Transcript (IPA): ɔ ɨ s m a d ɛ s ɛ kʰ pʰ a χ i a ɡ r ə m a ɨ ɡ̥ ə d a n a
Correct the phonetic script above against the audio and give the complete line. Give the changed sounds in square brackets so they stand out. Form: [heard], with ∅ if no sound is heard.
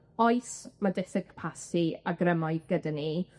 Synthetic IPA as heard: ɔ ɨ s m a d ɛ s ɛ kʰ pʰ a [s] i a ɡ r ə m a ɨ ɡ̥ ə d a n [i]